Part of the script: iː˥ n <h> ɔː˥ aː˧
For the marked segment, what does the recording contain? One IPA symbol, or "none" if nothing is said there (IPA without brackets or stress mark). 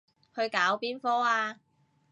f